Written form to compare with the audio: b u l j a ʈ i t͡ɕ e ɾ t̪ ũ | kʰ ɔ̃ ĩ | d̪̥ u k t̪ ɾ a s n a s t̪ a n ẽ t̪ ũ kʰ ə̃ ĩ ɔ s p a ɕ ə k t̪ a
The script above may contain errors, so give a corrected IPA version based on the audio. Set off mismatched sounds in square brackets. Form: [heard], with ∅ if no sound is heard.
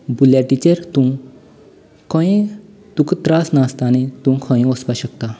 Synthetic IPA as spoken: b u l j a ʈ i t͡ɕ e ɾ t̪ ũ | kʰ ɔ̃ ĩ | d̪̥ u k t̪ ɾ a s n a s t̪ a n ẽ t̪ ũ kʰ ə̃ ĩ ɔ s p a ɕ ə k t̪ a